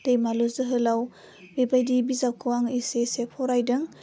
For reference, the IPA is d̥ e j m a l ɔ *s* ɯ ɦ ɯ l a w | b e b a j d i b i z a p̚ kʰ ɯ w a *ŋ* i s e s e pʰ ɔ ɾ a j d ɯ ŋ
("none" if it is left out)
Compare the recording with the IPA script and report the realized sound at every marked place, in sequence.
z, ŋ

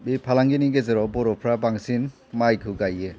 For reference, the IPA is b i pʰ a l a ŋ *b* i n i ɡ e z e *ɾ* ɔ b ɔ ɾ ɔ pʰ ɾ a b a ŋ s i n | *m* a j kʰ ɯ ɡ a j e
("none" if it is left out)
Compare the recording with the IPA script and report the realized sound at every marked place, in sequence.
ɡ, ɾ, m

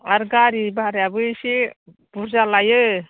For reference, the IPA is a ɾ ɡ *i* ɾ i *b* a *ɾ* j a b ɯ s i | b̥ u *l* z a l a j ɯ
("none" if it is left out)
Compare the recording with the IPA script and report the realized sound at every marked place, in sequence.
a, b, ɾ, ɾ

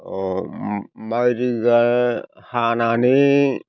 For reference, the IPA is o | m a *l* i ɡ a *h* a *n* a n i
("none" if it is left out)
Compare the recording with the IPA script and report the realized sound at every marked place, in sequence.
ɾ, h, n

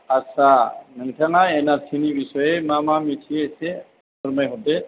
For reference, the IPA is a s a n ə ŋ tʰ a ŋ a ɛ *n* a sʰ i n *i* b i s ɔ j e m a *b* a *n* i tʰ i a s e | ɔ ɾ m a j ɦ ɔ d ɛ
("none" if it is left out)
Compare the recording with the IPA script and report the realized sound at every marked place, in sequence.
n, i, m, m

